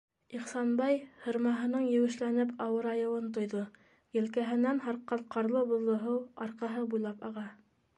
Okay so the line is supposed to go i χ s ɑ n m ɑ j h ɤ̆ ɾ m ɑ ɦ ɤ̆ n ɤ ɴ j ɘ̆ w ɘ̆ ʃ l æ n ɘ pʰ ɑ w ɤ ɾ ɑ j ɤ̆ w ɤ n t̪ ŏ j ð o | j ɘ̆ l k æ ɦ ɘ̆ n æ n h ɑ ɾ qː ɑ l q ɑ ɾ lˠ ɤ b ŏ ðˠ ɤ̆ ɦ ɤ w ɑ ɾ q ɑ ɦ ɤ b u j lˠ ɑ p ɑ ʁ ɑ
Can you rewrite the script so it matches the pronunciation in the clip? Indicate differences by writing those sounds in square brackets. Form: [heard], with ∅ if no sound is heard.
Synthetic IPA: i χ s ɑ n [b] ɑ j h ɤ̆ ɾ m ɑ ɦ ɤ̆ n ɤ ɴ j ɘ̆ w ɘ̆ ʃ l æ n ɘ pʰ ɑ w ɤ ɾ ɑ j ɤ̆ w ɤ n t̪ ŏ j ð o | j ɘ̆ l k æ ɦ ɘ̆ n æ n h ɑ ɾ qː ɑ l q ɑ ɾ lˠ ɤ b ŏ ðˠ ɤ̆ ɦ ɤ w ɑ ɾ q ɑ ɦ ɤ b u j lˠ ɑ p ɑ ʁ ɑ